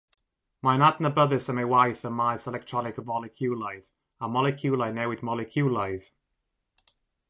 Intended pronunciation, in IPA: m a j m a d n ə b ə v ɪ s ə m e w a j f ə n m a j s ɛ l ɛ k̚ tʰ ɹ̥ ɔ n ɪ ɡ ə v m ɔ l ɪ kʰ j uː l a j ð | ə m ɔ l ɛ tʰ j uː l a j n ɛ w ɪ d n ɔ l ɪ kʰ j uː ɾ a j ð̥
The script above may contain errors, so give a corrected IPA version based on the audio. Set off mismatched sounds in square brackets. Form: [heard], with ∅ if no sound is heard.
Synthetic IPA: m a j [n] a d n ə b ə [ð] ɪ s ə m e w a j [θ] ə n m a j s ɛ l ɛ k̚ tʰ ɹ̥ ɔ n ɪ [k] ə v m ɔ l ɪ kʰ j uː l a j ð | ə m ɔ l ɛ [kʰ] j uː l a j n ɛ w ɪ d [m] ɔ l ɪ kʰ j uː [l] a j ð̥